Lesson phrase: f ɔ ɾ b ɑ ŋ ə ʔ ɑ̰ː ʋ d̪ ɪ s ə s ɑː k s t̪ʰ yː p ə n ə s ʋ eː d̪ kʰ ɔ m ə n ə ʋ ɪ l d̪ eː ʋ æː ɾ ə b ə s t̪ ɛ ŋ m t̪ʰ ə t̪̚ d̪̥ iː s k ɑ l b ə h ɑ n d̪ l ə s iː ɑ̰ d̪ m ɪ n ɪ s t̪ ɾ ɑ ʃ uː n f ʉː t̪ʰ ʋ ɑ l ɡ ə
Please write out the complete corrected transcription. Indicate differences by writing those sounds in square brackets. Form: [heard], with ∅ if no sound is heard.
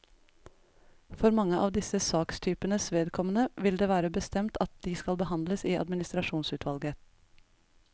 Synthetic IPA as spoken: f ɔ ɾ [m] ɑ ŋ ə ʔ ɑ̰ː ʋ d̪ ɪ s ə s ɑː k s t̪ʰ yː p ə n ə s ʋ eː d̪ kʰ ɔ m ə n ə ʋ ɪ l d̪ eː ʋ æː ɾ ə b ə s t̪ ɛ [∅] m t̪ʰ [ɑ] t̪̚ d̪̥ iː s k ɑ l b ə h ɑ n d̪ l ə s iː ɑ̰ d̪ m ɪ n ɪ s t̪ ɾ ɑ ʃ uː n [s] ʉː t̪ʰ ʋ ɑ l ɡ ə